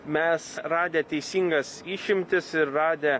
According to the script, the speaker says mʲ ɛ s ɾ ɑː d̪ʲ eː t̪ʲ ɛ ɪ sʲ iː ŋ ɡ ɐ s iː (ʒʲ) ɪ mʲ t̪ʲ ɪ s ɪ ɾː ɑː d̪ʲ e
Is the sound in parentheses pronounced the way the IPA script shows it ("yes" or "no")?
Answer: no